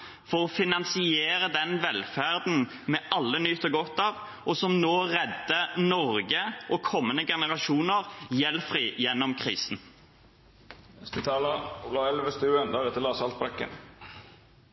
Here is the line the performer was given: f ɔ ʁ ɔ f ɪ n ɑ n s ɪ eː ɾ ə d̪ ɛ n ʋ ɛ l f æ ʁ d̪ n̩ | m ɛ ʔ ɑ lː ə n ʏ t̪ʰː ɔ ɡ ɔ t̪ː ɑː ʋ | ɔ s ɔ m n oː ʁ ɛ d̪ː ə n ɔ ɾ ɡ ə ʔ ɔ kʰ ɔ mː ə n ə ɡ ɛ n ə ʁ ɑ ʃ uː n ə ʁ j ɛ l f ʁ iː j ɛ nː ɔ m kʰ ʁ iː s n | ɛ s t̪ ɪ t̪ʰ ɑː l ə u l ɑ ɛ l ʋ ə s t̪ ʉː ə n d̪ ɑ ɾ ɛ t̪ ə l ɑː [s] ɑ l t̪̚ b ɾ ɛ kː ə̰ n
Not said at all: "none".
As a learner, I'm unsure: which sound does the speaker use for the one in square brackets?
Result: s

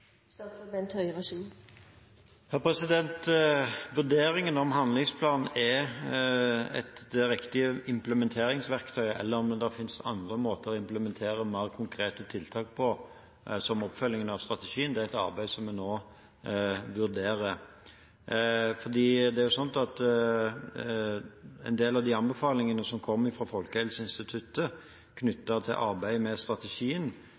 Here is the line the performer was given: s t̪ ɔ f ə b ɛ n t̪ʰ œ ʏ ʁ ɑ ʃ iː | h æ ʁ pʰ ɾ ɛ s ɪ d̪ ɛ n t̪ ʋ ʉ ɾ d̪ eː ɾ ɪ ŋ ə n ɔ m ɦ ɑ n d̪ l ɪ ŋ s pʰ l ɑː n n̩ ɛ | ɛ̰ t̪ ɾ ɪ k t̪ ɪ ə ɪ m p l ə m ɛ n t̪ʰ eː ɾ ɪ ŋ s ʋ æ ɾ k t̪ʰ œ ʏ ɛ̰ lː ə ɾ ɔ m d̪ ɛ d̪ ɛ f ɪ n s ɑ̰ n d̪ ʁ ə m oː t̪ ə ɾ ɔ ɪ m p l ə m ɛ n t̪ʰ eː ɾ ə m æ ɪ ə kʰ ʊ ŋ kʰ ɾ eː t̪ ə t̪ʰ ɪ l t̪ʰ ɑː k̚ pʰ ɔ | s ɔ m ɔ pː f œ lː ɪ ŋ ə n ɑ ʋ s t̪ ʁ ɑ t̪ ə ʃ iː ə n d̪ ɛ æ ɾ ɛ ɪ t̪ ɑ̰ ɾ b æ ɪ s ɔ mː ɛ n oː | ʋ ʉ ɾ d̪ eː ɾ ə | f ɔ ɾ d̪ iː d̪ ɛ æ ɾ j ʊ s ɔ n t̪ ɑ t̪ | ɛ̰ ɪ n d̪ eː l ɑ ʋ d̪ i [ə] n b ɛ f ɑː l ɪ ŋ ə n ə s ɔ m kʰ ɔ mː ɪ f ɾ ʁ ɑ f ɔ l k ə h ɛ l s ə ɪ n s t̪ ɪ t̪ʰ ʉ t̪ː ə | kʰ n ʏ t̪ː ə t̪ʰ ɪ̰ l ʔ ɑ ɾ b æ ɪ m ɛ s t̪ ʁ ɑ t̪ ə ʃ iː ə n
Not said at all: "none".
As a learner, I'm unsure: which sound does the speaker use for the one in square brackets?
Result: ɑ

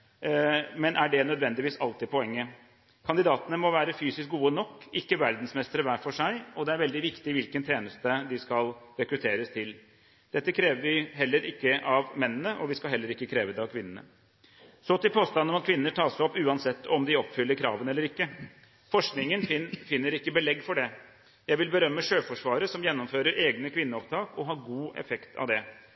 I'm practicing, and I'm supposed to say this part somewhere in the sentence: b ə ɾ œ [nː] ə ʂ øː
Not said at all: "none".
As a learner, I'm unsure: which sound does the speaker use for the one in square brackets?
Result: mː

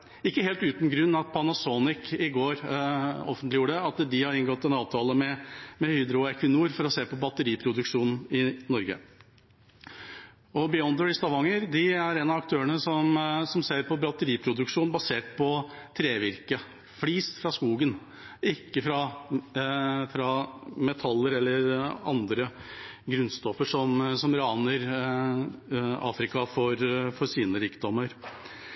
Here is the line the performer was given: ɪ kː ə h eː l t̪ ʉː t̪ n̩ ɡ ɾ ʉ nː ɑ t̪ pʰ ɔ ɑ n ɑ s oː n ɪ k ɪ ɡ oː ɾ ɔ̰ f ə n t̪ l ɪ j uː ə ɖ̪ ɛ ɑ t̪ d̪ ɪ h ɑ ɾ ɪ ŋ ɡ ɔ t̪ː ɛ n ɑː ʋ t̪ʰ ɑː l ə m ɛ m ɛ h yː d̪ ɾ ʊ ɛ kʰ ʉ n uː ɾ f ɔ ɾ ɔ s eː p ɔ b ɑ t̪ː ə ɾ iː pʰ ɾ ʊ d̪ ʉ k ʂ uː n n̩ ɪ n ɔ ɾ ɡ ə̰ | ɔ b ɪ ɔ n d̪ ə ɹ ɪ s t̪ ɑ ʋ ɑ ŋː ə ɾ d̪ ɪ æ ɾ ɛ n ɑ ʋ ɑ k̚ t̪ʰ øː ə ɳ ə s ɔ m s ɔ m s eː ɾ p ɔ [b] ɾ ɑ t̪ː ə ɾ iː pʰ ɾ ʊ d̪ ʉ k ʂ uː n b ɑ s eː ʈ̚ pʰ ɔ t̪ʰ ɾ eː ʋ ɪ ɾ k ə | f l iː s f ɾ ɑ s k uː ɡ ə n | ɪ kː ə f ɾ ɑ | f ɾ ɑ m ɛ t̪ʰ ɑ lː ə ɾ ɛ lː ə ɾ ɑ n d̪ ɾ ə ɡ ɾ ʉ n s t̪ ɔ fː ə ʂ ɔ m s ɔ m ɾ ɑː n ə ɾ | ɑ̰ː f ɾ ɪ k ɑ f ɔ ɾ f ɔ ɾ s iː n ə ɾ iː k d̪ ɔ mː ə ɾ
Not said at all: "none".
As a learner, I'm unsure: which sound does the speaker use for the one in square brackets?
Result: b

